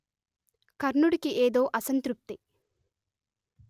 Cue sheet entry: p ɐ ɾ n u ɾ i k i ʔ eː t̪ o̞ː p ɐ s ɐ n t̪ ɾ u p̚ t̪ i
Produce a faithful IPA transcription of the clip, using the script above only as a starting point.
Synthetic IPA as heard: k ɐ ɾ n u ɽ i k i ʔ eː d̪ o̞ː ʔ ɐ s ɐ n t̪ ɾ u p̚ t̪ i